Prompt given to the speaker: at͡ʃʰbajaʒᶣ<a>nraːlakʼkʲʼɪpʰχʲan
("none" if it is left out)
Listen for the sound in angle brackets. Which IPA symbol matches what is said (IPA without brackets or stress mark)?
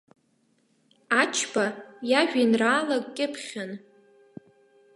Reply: i